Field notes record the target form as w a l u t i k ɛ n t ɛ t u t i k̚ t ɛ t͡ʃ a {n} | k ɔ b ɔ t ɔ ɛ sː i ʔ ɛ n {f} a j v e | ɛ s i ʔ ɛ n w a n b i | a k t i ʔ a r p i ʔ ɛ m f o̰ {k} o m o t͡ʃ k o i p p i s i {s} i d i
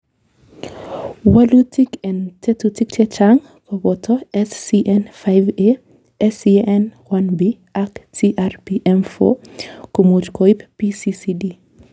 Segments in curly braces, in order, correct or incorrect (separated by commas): incorrect, correct, correct, correct